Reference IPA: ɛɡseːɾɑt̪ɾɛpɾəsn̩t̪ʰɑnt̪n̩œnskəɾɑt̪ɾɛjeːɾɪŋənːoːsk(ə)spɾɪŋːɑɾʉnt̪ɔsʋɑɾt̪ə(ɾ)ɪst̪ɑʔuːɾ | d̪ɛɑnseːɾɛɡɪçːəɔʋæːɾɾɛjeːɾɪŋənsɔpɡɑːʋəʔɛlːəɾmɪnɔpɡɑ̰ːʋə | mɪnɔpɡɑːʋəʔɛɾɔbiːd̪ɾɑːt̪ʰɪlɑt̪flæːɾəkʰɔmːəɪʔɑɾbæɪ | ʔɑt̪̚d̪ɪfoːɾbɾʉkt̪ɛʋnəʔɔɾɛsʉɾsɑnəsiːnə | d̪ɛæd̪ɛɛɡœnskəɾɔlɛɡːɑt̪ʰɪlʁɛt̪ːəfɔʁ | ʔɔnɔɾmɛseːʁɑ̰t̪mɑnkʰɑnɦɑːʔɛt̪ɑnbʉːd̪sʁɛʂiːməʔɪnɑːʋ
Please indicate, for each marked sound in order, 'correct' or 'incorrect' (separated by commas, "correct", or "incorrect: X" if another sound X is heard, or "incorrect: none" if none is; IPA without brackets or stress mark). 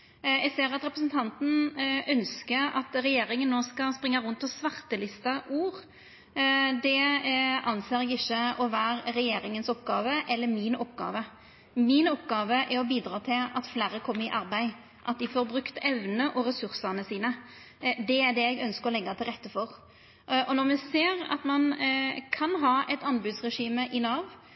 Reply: incorrect: ɑ, incorrect: l